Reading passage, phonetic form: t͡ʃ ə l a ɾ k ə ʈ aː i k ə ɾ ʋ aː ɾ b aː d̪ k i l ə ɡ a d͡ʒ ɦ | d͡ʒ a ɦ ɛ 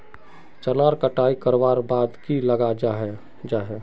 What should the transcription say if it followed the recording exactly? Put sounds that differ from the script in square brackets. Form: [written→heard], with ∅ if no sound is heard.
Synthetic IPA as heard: t͡ʃ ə l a ɾ k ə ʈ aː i k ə ɾ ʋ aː ɾ b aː d̪ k i l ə ɡ a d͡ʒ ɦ | d͡ʒ a ɦ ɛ